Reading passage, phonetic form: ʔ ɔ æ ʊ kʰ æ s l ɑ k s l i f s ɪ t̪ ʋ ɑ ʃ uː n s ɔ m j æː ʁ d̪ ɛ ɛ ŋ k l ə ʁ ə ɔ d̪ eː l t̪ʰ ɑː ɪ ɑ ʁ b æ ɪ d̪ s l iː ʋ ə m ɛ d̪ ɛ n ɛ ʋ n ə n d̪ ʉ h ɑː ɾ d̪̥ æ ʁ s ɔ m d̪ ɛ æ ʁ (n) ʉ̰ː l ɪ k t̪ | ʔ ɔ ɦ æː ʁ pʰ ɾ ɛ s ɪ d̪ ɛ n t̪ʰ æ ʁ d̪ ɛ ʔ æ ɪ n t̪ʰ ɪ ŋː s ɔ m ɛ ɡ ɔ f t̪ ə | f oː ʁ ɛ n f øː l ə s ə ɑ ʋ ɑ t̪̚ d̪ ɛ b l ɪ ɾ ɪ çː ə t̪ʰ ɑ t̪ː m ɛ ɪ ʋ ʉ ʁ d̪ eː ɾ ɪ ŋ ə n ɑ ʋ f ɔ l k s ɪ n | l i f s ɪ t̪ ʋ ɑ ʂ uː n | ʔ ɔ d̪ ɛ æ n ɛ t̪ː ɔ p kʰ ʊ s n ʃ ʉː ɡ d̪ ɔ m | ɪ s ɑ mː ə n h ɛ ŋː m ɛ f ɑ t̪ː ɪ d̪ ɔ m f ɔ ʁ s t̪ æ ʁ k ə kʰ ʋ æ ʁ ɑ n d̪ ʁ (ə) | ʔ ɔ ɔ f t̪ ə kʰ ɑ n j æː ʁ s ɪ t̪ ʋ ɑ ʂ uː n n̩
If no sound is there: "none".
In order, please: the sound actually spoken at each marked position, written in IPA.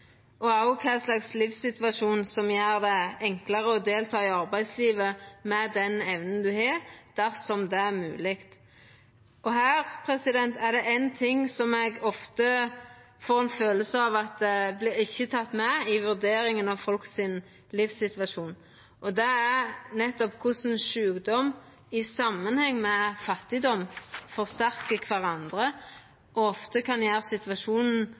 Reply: m, ə

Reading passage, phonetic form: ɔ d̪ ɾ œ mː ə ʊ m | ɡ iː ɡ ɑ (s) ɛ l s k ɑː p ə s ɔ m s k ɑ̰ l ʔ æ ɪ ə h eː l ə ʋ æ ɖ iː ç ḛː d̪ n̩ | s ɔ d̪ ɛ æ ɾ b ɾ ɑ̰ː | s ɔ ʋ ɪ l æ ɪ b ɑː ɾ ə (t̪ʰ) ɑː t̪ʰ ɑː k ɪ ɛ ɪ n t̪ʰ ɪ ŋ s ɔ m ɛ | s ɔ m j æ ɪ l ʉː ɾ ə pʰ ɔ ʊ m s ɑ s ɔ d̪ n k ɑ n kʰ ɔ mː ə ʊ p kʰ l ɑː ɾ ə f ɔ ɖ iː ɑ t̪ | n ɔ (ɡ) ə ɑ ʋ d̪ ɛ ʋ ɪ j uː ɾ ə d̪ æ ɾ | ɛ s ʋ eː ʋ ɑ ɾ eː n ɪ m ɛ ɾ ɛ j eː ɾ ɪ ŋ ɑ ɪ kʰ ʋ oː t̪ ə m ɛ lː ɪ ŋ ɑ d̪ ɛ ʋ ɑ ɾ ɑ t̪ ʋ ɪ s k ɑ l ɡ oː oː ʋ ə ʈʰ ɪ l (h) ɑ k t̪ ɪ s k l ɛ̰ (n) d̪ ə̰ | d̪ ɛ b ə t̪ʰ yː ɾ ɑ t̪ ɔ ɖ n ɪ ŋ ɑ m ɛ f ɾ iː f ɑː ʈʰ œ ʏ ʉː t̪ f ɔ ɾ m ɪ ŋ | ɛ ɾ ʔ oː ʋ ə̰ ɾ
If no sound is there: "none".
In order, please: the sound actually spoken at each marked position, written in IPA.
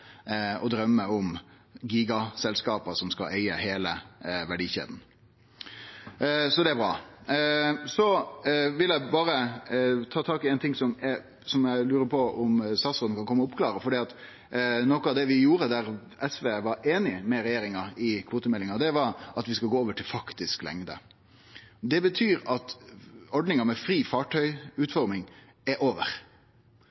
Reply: s, t̪ʰ, k, f, ŋ

